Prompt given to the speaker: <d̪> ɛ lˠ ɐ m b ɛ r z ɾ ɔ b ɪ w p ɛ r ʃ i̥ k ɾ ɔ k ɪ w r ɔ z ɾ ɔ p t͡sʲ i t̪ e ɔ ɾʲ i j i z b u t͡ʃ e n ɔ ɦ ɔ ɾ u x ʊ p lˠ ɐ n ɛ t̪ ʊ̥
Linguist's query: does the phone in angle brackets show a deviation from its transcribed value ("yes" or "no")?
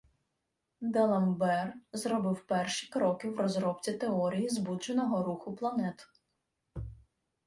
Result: no